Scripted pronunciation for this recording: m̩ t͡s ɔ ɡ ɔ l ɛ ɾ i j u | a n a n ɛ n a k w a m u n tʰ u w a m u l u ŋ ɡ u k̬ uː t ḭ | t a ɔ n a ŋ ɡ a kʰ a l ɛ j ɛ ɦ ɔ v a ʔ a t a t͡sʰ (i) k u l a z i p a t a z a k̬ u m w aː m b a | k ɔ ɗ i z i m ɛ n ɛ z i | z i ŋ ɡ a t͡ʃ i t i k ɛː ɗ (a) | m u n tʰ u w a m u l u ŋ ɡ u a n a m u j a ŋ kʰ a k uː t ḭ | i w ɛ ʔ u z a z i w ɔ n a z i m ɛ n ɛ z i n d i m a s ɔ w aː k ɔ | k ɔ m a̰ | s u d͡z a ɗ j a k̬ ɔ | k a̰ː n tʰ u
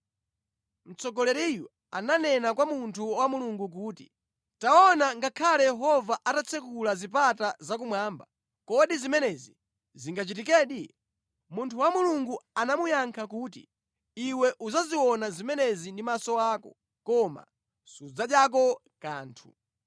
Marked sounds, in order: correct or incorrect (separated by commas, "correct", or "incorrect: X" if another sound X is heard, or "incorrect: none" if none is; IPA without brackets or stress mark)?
incorrect: ɛ, incorrect: i